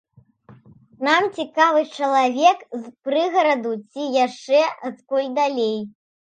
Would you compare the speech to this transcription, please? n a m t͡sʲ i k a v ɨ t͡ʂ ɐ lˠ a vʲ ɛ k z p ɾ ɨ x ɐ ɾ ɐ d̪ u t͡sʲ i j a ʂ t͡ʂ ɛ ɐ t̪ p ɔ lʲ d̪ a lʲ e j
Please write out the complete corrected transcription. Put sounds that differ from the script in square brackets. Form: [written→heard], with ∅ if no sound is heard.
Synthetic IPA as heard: n a m t͡sʲ i k a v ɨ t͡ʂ ɐ lˠ a vʲ ɛ k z p ɾ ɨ [x→ɣ] ɐ ɾ ɐ d̪ u t͡sʲ i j a ʂ t͡ʂ ɛ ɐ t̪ [p→k] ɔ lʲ d̪ a lʲ e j

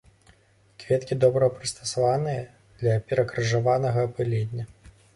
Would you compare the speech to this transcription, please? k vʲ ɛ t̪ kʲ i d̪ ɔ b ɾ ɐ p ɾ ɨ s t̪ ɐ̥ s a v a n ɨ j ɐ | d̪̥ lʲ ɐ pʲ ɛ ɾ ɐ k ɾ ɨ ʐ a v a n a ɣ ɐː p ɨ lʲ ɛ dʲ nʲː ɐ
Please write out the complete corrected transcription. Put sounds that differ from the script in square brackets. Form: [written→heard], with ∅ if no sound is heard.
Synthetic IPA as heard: k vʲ ɛ t̪ kʲ i d̪ ɔ b ɾ ɐ p ɾ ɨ s t̪ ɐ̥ s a v a n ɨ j ɐ | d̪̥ lʲ ɐ pʲ ɛ ɾ ɐ k ɾ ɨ ʐ a v a n [a→ɐ] ɣ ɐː p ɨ lʲ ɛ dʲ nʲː ɐ

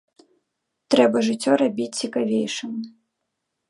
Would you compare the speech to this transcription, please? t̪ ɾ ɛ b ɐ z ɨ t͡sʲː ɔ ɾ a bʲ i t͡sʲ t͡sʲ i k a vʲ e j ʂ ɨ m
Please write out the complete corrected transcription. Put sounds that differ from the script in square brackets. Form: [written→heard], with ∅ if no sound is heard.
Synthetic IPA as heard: t̪ ɾ ɛ b ɐ [z→ʐ] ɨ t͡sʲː ɔ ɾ a bʲ i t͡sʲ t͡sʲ i k a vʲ e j ʂ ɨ m

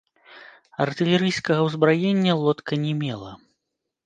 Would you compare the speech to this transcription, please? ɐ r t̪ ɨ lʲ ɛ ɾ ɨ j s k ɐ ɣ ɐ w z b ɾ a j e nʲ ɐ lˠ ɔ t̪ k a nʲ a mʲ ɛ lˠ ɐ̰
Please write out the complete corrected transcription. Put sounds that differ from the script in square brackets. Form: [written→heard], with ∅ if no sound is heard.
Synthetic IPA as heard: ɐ r t̪ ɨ lʲ ɛ ɾ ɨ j s k ɐ ɣ ɐ w z b ɾ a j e [nʲ→nʲː] ɐ lˠ ɔ t̪ k [a→ɐ] nʲ [a→ɛ] mʲ ɛ lˠ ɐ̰

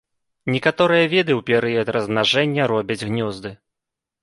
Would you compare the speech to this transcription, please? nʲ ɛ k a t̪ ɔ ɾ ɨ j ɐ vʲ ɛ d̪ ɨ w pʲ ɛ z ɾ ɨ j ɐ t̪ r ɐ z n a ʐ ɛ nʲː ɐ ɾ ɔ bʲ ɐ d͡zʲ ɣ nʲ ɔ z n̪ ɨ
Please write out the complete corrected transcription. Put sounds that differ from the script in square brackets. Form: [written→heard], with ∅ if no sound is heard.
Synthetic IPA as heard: nʲ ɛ k a t̪ ɔ ɾ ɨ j ɐ vʲ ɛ d̪ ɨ w pʲ ɛ [z→∅] ɾ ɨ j ɐ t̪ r ɐ z n a ʐ ɛ nʲː ɐ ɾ ɔ bʲ ɐ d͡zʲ ɣ nʲ ɔ z [n̪→d̪] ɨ

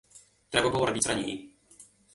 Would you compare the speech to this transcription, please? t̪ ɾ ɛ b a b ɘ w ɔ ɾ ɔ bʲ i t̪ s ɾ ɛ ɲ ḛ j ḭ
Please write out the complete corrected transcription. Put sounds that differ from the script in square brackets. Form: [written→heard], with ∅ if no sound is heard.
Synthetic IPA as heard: t̪ ɾ ɛ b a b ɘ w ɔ ɾ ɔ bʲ i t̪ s ɾ [ɛ→a] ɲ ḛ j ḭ

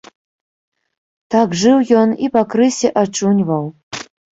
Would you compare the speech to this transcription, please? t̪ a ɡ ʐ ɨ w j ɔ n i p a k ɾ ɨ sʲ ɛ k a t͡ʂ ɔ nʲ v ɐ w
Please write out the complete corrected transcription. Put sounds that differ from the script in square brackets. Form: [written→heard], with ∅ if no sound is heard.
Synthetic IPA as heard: t̪ a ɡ ʐ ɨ w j ɔ n i p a k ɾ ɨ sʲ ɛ [k→ʔ] a t͡ʂ [ɔ→u] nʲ v ɐ w

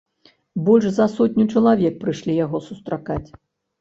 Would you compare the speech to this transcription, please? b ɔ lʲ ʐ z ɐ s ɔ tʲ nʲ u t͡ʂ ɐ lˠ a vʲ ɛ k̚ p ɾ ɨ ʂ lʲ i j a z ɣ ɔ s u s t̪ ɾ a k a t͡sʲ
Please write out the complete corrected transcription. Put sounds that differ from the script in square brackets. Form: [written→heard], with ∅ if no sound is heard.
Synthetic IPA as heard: b ɔ lʲ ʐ z ɐ s ɔ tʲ nʲ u t͡ʂ ɐ lˠ a vʲ ɛ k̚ p ɾ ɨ ʂ lʲ i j a [z→∅] ɣ ɔ s u s t̪ ɾ a k a t͡sʲ

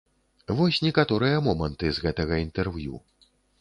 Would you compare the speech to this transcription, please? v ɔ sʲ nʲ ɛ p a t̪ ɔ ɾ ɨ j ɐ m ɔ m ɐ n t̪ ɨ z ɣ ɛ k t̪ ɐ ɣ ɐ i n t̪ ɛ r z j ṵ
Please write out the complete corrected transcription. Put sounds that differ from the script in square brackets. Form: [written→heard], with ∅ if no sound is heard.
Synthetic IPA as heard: v ɔ sʲ nʲ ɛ [p→k] a t̪ ɔ ɾ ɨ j ɐ m ɔ m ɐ n t̪ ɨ z ɣ ɛ [k→∅] t̪ ɐ ɣ ɐ i n t̪ ɛ r [z→v] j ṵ

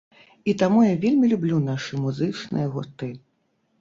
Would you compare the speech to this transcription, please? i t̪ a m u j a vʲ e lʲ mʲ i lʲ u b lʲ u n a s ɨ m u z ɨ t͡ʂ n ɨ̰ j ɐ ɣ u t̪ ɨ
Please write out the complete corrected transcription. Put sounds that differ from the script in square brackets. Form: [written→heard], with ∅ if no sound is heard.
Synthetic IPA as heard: i t̪ a m u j a vʲ e lʲ mʲ i lʲ u b lʲ u n a [s→ʂ] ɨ m u z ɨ t͡ʂ n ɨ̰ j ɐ ɣ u t̪ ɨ

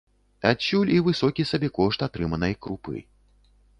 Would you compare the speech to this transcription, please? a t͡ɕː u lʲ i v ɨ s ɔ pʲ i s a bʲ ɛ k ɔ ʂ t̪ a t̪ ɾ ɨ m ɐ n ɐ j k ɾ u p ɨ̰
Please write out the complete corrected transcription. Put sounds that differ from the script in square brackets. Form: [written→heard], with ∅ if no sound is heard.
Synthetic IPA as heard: a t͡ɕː u lʲ i v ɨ s ɔ [pʲ→kʲ] i s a bʲ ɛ k ɔ ʂ t̪ a t̪ ɾ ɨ m ɐ n ɐ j k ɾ u p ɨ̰

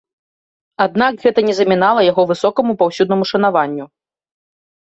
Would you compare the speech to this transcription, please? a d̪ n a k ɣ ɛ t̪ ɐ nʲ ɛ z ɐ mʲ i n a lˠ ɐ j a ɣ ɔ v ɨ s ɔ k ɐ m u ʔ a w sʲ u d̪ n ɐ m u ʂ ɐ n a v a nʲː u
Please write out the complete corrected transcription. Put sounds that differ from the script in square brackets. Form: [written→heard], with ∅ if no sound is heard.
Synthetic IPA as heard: a d̪ n a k ɣ ɛ t̪ ɐ nʲ ɛ z ɐ mʲ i n a lˠ ɐ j a ɣ ɔ v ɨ s ɔ k ɐ m u [ʔ→p] a w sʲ u d̪ n ɐ m u ʂ ɐ n a v a nʲː u

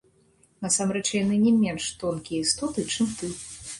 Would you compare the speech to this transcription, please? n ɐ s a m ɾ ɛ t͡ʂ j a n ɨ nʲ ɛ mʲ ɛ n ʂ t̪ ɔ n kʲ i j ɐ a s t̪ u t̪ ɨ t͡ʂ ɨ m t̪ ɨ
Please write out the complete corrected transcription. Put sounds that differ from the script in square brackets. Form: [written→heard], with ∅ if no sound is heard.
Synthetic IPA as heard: n ɐ s a m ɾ ɛ t͡ʂ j a n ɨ nʲ ɛ mʲ ɛ n ʂ t̪ ɔ n kʲ i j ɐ [a→i] s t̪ [u→ɔ] t̪ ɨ t͡ʂ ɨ m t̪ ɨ

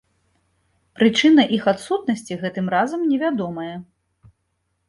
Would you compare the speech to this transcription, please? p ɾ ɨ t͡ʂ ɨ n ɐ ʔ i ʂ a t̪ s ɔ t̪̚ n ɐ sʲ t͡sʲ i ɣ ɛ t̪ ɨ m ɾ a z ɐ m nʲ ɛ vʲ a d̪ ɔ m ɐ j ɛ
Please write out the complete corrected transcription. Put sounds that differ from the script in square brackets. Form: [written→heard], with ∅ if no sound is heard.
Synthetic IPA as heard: p ɾ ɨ t͡ʂ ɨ n ɐ ʔ i [ʂ→x] a t̪ s [ɔ→u] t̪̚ n ɐ sʲ t͡sʲ i ɣ ɛ t̪ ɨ m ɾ a z ɐ m nʲ ɛ vʲ a d̪ ɔ m ɐ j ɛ

